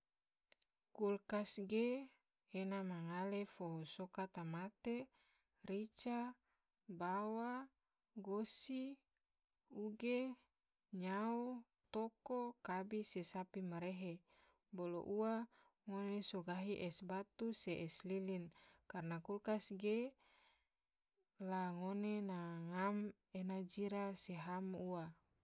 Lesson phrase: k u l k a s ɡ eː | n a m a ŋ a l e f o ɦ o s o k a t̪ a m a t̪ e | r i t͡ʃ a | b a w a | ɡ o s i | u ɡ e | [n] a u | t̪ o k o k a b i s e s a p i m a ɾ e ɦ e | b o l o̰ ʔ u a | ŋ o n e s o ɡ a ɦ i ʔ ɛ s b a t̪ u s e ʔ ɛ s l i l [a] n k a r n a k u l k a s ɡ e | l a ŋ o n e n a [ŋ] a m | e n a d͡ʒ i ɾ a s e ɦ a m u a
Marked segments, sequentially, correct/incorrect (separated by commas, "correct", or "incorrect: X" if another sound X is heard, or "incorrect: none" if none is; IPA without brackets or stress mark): incorrect: ɲ, incorrect: i, correct